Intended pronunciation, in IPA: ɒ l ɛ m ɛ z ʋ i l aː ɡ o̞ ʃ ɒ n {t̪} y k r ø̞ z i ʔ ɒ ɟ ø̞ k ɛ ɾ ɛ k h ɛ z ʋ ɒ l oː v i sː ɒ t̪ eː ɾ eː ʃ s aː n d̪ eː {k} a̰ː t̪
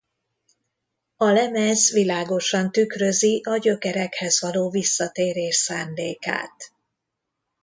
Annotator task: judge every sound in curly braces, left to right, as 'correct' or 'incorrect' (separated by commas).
correct, correct